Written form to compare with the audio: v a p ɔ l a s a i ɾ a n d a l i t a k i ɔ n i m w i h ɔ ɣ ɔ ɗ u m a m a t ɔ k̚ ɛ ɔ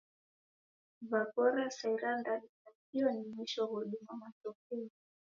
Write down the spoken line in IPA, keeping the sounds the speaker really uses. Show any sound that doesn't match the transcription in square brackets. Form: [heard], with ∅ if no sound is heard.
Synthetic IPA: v a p ɔ [ɾ] a s a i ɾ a n d a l i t a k i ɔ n i m w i [ʃ] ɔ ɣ ɔ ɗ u m a m a t ɔ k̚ ɛ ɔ